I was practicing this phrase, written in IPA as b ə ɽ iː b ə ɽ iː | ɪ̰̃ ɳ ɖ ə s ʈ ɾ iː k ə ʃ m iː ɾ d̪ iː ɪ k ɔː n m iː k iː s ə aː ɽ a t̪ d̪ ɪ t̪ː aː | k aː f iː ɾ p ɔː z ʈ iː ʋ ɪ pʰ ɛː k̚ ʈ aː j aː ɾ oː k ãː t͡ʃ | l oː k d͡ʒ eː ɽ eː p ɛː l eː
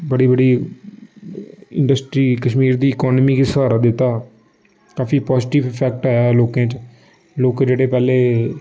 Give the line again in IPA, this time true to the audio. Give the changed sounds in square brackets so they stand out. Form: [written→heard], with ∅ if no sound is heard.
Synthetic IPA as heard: b ə ɽ iː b ə ɽ iː | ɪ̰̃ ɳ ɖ ə s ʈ ɾ iː k ə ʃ m iː ɾ d̪ iː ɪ k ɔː n m iː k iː s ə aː [ɽ→ɾ] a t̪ d̪ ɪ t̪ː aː | k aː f iː [ɾ→∅] p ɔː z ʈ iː ʋ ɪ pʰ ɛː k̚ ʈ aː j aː [ɾ→l] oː k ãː t͡ʃ | l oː k d͡ʒ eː ɽ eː p ɛː l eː